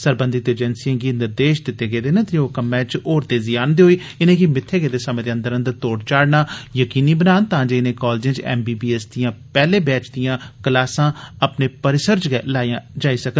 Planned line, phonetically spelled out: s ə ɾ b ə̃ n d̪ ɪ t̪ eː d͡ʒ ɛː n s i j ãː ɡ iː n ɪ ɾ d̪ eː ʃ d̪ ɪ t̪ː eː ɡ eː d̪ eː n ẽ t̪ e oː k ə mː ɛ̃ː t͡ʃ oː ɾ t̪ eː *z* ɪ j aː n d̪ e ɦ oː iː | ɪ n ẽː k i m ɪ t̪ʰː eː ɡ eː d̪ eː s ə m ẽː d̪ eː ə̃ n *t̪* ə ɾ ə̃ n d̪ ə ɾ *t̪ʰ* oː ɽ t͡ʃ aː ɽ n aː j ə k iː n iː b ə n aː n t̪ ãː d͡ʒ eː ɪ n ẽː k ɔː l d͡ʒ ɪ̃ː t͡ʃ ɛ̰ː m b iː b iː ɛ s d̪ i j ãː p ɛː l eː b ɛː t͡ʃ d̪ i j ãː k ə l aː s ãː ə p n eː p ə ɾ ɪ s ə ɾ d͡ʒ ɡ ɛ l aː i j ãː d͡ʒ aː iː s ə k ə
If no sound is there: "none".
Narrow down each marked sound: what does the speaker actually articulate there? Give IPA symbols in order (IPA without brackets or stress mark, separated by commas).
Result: z, d̪, t̪